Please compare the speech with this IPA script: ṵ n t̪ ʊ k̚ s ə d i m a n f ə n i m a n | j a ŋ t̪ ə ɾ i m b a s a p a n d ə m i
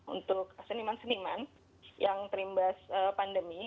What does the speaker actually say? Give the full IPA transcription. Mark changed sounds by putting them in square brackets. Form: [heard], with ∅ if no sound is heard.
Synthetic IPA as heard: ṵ n t̪ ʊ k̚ s ə [n] i m a n [s] ə n i m a n | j a ŋ t̪ ə ɾ i m b a s [ə] p a n d ə m i